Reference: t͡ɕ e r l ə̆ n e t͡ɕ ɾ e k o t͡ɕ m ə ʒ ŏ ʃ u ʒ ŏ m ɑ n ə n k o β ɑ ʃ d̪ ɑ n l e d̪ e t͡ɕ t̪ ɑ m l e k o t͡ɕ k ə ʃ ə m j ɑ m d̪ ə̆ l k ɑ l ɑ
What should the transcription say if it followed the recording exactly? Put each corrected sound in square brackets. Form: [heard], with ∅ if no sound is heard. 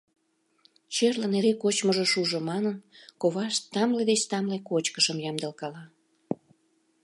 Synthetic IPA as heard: t͡ɕ e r l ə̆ n e [∅] ɾ e k o t͡ɕ m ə ʒ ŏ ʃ u ʒ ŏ m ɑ n ə n k o β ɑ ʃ [t̪] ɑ [m] l e d̪ e t͡ɕ t̪ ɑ m l e k o t͡ɕ k ə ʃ ə m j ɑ m d̪ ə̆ l k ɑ l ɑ

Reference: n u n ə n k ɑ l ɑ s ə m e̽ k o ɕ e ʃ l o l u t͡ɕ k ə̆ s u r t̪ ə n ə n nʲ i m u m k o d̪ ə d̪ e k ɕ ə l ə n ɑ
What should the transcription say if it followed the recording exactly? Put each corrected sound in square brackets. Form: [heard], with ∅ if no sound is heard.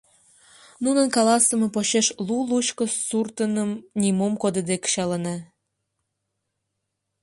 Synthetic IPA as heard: n u n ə n k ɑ l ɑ s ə m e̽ [p] o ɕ e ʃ l [u] l u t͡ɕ k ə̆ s u r t̪ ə n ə [m] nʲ i m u m k o d̪ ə d̪ e k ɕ [ɑ] l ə n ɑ

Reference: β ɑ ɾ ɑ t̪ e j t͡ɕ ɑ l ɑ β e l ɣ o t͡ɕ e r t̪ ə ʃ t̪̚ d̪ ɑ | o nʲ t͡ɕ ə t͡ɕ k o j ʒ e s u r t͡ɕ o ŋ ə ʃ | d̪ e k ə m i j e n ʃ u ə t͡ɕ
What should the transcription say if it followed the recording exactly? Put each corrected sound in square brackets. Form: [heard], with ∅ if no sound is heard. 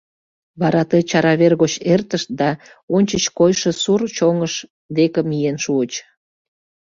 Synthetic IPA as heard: β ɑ ɾ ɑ t̪ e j t͡ɕ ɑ [ɾ] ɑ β e [r] ɣ o t͡ɕ e r t̪ ə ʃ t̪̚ d̪ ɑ | o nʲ t͡ɕ ə t͡ɕ k o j [ʃ] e s u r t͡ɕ o ŋ ə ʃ | d̪ e k ə m i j e n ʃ u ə t͡ɕ

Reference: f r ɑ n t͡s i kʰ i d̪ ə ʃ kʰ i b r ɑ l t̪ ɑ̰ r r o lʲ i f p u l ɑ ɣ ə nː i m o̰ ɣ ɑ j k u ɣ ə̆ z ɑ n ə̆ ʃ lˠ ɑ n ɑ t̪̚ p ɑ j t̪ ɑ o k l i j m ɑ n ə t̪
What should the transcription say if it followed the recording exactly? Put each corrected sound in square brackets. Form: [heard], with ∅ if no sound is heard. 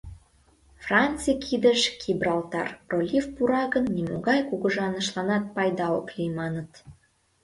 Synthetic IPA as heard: f r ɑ n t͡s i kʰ i d̪ ə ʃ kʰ i b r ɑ l t̪ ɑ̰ r r o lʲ i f p u [ɾ] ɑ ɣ ə nː i m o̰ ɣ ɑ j k u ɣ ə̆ [ʒ] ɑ n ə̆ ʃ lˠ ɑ n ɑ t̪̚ p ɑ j [d̪] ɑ o k l i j m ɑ n ə t̪

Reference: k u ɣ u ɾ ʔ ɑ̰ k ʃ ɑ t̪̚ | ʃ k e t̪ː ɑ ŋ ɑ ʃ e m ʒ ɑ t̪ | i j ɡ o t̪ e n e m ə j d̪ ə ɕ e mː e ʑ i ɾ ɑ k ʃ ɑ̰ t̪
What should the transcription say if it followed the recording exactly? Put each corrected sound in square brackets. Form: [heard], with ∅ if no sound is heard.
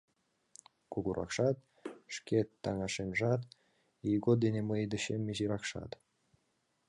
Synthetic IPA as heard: k u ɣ u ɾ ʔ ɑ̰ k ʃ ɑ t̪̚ | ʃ k e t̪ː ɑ ŋ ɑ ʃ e [n] ʒ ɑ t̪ | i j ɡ o [d̪] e n e m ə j d̪ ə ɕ e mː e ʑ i ɾ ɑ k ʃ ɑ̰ t̪

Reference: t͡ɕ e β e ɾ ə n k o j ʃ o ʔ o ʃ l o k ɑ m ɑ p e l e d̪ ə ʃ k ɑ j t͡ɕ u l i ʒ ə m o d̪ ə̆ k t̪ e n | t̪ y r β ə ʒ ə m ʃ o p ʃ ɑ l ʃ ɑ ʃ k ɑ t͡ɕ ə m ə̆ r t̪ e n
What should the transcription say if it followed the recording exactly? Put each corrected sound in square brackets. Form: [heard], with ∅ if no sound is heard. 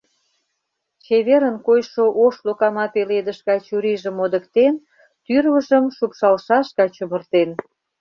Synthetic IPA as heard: t͡ɕ e β e ɾ ə n k o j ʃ o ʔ o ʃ l o k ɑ m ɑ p e l e d̪ ə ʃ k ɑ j t͡ɕ u [ɾ] i ʒ ə m o d̪ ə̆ k t̪ e n | t̪ y r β ə ʒ ə m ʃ [u] p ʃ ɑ l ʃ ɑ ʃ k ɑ t͡ɕ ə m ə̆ r t̪ e n

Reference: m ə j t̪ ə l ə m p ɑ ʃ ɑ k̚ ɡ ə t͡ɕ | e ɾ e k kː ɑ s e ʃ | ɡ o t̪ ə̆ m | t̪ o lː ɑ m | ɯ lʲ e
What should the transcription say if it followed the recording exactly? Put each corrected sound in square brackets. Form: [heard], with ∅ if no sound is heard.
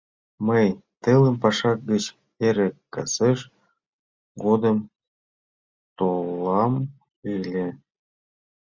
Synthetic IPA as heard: m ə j t̪ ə l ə m p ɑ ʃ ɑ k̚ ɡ ə t͡ɕ | e ɾ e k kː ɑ s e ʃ | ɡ o [d̪] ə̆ m | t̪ o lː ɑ m | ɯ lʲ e

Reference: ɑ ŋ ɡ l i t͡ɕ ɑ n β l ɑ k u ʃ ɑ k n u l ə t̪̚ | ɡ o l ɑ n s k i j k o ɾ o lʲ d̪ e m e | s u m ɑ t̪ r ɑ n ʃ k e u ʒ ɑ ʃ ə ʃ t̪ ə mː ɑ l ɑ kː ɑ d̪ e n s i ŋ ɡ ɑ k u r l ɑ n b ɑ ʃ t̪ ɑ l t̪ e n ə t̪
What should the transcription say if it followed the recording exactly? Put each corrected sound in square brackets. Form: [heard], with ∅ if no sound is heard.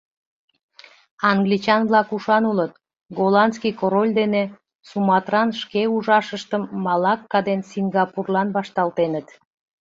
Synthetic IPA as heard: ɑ ŋ ɡ l i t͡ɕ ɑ n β l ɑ k u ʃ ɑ [∅] n u l ə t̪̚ | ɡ o l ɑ n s k i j k o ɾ o lʲ d̪ e [n] e | s u m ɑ t̪ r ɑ n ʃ k e u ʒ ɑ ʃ ə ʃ t̪ ə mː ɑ l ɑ kː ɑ d̪ e n s i ŋ ɡ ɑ [p] u r l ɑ n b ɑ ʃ t̪ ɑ l t̪ e n ə t̪

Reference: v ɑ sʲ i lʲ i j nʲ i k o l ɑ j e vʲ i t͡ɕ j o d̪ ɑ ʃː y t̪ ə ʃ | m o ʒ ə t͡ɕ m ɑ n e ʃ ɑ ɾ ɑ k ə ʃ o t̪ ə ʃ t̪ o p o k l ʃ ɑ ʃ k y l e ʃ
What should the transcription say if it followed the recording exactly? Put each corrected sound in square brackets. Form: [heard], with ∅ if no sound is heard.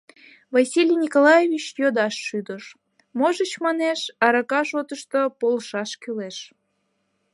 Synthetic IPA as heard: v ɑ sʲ i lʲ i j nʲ i k o l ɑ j e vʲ i t͡ɕ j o d̪ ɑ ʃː y [d̪] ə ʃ | m o ʒ ə t͡ɕ m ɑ n e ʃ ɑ ɾ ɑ k [ɑ] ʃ o t̪ ə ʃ t̪ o p o [∅] l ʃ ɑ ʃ k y l e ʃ

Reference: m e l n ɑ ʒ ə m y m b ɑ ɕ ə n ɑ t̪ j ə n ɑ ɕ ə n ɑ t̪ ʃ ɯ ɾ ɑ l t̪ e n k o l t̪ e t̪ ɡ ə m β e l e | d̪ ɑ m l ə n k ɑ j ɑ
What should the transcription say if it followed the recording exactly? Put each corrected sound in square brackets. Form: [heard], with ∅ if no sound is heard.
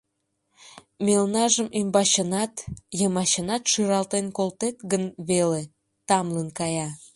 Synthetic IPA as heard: m e l n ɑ ʒ ə m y m b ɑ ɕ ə n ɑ t̪ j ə [m] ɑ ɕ ə n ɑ t̪ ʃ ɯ ɾ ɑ l t̪ e n k o l t̪ e t̪ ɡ ə [n] β e l e | [t̪] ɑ m l ə n k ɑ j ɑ

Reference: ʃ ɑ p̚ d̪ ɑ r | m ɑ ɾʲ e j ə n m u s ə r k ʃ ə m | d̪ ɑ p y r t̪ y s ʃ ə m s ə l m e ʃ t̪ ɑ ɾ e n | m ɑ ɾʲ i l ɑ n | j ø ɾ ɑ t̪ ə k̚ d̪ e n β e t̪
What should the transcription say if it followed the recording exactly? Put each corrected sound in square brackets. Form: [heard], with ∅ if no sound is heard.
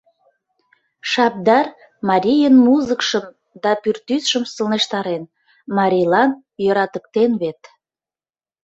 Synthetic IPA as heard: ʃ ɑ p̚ d̪ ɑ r | m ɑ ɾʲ [i] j ə n m u [z] ə [∅] k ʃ ə m | d̪ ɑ p y r t̪ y s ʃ ə m s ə l [n] e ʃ t̪ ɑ ɾ e n | m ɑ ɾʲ i l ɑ n | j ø ɾ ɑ t̪ ə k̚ [t̪] e n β e t̪

